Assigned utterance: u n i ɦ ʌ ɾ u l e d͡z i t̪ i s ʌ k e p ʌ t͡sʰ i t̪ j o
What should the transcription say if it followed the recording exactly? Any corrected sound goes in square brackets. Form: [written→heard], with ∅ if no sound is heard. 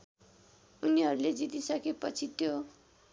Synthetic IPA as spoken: u n i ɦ ʌ ɾ u l e d͡z i t̪ i s ʌ k e p ʌ t͡sʰ i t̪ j o